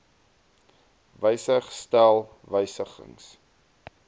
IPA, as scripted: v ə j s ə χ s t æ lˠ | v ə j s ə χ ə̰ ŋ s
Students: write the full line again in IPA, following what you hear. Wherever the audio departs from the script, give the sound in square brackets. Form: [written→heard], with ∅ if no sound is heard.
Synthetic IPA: v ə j s ə χ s t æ lˠ | v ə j s ə χ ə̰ ŋ s